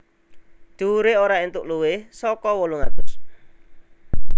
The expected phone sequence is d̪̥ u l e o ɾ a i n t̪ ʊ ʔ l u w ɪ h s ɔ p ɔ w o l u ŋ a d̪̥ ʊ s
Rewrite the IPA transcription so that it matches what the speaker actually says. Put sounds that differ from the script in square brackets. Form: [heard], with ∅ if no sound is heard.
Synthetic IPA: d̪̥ u [ɾ] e o ɾ a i n t̪ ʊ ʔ l u w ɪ h s ɔ [k] ɔ w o l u ŋ a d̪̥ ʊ s